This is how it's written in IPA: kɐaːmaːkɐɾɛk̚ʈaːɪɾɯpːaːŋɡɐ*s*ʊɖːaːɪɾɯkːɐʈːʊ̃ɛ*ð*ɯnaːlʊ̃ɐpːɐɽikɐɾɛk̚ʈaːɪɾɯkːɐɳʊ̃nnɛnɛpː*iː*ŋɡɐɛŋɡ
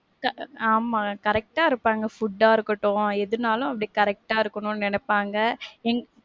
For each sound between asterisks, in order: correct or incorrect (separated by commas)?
incorrect, correct, incorrect